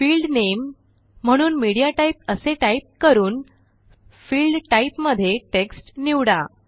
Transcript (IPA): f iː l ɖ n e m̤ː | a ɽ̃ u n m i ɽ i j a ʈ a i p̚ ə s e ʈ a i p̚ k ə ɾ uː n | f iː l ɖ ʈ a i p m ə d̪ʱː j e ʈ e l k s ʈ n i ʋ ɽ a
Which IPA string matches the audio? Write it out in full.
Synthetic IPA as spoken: f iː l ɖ n e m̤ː | ə ɽ̃ uː n m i ɽ i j a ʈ a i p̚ ə s e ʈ a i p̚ k ə ɾ uː n | f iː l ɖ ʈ a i p m ə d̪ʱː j e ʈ e k s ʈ n i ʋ ɽ a